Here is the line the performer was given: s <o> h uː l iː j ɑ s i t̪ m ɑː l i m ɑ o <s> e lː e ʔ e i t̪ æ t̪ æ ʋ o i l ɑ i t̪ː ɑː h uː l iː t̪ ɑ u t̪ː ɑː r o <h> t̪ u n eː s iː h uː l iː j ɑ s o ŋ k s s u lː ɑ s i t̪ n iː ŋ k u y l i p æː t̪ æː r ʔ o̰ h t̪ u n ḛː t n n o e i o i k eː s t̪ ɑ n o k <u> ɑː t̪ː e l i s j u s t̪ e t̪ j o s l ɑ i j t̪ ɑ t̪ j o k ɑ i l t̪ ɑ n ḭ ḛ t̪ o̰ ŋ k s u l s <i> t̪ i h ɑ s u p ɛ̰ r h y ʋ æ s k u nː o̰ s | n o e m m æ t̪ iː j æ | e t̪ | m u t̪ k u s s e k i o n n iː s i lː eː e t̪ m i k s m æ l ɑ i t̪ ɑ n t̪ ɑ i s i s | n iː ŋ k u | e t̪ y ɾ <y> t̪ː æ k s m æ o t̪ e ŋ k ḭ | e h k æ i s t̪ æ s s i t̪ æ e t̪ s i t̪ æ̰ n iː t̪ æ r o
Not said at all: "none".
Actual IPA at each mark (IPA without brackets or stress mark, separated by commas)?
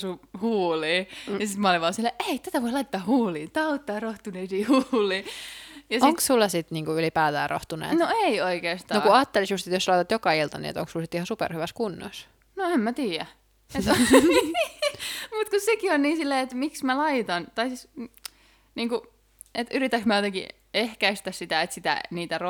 u, s, h, u, i, i